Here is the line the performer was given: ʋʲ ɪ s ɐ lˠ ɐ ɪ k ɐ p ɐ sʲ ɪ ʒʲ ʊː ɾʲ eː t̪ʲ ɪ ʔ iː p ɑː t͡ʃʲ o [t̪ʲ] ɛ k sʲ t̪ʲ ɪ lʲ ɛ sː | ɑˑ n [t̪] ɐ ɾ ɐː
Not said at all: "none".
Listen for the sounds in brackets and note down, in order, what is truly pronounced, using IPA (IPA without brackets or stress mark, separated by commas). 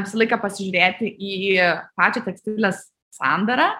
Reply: t̪ʲ, d̪